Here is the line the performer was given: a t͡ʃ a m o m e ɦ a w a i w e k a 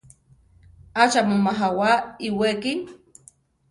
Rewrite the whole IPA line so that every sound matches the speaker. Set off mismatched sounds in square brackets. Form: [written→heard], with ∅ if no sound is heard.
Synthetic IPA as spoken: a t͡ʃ a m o m [e→a] ɦ a w a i w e k [a→i]

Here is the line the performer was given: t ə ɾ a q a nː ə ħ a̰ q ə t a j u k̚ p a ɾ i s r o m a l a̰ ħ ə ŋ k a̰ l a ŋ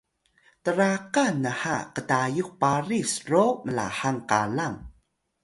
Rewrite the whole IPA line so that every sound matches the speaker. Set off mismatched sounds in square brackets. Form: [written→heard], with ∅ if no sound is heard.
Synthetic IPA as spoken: t ə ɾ a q a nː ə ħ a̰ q ə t a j u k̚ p a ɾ i s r o m [a→ə] l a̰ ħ [ə→a] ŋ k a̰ l a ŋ

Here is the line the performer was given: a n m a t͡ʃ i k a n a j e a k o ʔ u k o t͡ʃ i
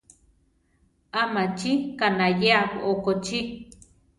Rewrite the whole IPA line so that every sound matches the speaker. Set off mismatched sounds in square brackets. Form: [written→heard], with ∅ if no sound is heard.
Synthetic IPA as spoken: a [n→∅] m a t͡ʃ i k a n a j e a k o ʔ [u→o] k o t͡ʃ i

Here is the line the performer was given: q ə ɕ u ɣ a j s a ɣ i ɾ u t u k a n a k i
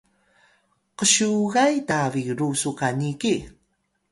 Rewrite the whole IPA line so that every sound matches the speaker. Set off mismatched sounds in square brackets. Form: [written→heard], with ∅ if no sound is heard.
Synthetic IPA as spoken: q ə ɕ u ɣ a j [s→t] a [ɣ→v] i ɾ u [t→s] u k a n [a→i] k i

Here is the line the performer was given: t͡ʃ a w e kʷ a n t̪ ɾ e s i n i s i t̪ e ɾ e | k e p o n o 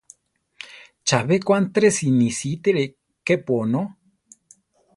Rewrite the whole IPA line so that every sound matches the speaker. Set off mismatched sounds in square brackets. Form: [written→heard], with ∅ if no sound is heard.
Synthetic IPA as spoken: t͡ʃ a [w→β] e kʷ a n t̪ ɾ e s i n i s i t̪ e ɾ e | k e p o n o

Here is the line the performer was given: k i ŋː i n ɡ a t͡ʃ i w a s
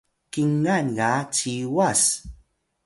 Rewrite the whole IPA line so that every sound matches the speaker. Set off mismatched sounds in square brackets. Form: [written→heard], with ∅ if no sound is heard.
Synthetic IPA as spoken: k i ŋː [i→a] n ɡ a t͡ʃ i w a s

